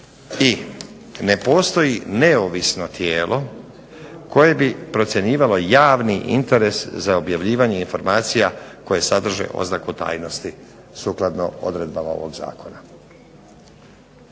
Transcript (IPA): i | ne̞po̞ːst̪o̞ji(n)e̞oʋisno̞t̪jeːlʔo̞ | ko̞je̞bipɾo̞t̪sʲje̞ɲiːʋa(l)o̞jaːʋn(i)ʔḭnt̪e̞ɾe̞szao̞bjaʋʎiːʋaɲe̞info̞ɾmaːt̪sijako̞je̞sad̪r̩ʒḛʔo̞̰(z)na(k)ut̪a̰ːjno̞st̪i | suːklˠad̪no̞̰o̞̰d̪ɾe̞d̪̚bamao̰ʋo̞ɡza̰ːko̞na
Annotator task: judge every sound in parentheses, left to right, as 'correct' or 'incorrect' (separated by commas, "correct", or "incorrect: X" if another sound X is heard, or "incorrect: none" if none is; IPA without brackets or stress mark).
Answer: correct, correct, correct, correct, correct